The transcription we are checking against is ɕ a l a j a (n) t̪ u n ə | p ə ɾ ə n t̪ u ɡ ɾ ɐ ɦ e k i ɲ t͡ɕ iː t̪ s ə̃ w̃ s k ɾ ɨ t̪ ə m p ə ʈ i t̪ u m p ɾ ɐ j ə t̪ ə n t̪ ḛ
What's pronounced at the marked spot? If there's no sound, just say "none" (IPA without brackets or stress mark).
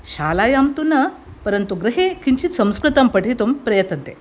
m